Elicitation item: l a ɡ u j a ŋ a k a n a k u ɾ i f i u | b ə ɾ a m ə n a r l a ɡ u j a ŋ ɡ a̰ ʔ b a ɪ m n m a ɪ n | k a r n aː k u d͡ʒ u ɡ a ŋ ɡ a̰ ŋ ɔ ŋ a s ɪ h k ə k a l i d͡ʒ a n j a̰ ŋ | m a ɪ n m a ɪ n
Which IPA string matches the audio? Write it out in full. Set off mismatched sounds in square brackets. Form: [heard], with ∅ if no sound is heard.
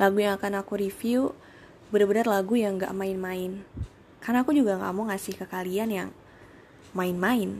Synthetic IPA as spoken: l a ɡ u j a ŋ a k a n a k u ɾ i f i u | b ə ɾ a [b] ə n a r l a ɡ u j a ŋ ɡ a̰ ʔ [m] a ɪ [∅] n m a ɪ n | k a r n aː k u d͡ʒ u ɡ a ŋ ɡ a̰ [m] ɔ ŋ a s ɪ h k ə k a l i [∅] a n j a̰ ŋ | m a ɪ n m a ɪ n